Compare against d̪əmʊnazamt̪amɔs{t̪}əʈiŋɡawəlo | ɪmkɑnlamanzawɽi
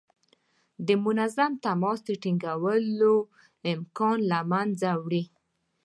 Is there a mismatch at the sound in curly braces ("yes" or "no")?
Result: yes